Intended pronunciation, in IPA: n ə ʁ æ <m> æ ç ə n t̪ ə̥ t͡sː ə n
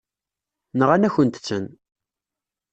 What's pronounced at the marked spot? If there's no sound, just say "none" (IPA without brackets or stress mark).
n